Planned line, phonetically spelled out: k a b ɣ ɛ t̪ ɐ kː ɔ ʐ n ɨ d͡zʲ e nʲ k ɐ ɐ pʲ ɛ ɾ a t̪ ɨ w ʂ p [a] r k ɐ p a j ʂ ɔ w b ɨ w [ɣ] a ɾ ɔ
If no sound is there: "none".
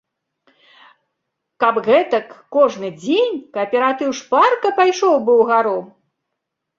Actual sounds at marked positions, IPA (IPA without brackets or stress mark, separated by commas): a, ɣ